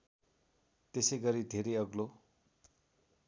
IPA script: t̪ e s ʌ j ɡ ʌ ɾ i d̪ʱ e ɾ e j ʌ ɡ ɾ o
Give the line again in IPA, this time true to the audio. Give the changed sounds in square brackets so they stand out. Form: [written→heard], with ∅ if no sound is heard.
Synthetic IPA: t̪ e s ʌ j ɡ ʌ ɾ i d̪ʱ e ɾ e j ʌ ɡ [ɾ→l] o